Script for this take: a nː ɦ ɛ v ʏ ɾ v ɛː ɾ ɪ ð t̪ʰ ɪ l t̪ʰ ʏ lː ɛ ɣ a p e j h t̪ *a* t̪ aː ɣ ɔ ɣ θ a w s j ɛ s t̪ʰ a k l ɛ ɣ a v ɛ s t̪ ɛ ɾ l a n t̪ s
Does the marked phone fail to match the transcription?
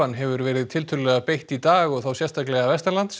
yes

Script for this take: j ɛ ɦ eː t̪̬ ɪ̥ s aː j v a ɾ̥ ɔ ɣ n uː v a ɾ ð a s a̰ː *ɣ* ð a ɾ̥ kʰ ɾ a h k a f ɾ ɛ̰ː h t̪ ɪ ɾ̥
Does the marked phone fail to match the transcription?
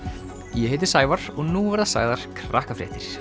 no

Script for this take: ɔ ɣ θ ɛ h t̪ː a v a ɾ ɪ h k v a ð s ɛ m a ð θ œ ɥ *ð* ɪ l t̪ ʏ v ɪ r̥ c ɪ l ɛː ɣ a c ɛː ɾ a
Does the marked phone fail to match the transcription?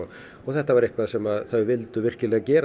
yes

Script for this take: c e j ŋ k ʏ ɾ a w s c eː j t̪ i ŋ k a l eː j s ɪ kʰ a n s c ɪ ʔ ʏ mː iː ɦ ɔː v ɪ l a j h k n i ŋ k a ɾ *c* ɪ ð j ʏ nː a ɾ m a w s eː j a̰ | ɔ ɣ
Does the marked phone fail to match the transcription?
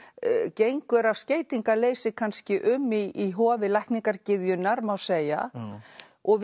no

